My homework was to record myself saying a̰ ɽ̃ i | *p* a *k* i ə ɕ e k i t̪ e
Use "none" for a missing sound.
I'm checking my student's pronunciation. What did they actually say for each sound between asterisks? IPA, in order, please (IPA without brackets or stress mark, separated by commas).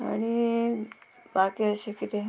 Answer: b, k